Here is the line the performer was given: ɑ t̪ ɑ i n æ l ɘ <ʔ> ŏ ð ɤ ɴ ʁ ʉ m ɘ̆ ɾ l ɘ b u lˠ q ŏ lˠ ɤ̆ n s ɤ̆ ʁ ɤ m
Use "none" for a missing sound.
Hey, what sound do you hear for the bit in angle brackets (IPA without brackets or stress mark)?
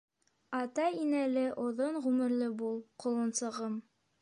ʔ